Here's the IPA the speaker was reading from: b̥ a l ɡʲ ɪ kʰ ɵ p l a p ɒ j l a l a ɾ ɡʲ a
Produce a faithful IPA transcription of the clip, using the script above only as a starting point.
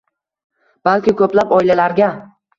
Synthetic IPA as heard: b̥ a l kʲ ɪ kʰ ɵ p l a p ɒ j l a l a ɾ ɡʲ a